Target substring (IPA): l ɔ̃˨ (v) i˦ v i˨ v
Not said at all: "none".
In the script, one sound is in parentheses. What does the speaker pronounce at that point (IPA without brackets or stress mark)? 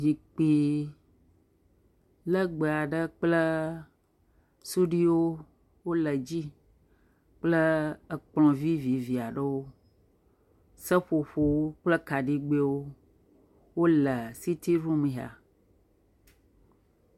v